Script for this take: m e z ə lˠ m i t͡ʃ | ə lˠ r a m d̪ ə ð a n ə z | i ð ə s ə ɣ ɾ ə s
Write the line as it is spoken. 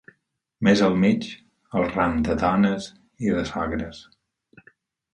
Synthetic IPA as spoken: m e z ə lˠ m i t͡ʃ | ə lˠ r a m d̪ ə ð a n ə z | i ð ə s a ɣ ɾ ə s